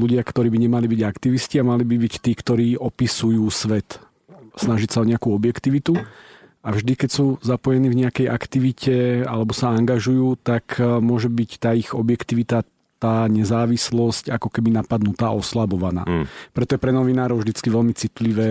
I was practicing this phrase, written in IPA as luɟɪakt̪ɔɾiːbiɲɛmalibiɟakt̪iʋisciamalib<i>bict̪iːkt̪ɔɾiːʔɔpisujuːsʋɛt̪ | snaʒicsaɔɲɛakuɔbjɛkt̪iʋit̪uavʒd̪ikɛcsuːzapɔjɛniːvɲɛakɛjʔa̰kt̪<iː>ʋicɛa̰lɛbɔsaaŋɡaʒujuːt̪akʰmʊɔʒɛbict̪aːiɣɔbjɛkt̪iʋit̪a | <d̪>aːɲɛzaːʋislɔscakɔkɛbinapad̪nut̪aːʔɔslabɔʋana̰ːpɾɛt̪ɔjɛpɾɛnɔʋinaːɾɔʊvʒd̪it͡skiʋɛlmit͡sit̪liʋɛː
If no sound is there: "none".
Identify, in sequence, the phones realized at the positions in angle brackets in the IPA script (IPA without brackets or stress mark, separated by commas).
i, i, t̪